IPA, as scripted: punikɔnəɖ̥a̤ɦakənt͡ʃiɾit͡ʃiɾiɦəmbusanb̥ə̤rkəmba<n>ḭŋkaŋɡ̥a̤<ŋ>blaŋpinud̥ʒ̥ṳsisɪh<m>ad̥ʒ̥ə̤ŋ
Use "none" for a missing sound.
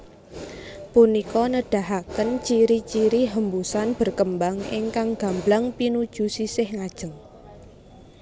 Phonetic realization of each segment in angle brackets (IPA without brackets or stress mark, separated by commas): ŋ, m, ŋ